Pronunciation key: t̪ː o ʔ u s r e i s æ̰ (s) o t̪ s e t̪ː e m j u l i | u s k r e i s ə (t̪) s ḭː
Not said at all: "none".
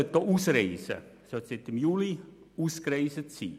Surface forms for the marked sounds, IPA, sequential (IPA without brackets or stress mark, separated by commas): s, t̪